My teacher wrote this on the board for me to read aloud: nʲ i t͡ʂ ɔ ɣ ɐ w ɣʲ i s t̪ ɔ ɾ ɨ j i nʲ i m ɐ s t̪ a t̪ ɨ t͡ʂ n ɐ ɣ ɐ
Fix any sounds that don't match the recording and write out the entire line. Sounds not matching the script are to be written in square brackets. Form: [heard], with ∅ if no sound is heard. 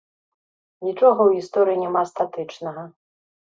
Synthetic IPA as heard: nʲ i t͡ʂ ɔ ɣ ɐ w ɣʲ i s t̪ ɔ ɾ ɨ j i nʲ [ɛ] m [a] s t̪ a t̪ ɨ t͡ʂ n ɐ ɣ ɐ